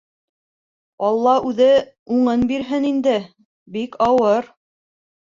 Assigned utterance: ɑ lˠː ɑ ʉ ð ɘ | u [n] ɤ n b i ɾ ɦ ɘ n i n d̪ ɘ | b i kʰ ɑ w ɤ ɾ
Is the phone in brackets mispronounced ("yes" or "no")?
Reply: yes